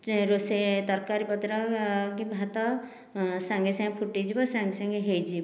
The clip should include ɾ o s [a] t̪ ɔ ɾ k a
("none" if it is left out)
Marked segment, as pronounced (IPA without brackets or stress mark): e